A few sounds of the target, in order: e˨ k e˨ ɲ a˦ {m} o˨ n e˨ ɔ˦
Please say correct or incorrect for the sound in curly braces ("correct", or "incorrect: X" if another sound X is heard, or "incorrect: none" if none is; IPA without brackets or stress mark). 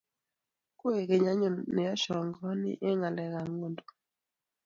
incorrect: ɲ